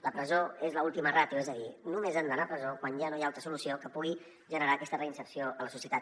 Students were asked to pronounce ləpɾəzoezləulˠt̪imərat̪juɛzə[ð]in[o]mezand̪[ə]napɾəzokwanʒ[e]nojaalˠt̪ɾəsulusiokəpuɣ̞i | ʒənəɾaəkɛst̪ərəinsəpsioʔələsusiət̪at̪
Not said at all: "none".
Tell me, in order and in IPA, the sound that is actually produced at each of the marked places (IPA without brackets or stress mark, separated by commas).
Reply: ð, u, ə, a